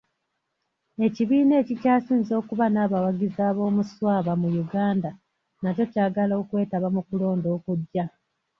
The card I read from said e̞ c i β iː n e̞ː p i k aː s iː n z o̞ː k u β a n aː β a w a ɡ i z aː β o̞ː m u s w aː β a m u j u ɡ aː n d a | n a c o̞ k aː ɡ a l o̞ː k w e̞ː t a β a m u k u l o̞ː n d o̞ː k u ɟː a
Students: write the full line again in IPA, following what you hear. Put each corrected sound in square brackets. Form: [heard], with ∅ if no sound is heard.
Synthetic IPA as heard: e̞ c i β iː n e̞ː [c] i [c] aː s iː n z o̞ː k u β a n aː β a w a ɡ i z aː β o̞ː m u s w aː β a m u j u ɡ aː n d a | n a c o̞ [c] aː ɡ a l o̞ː k w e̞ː t a β a m u k u l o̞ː n d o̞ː k u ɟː a